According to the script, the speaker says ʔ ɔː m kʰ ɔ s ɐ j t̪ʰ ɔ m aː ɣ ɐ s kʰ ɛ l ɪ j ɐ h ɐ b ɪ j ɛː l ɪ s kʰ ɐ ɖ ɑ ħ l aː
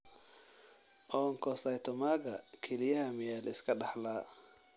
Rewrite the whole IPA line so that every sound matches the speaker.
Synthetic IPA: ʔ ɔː ŋ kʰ ɔ s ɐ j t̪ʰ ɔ m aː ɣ ɐ kʰ ɛ l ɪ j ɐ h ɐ m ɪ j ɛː l ɪ s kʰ ɐ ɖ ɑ ħ l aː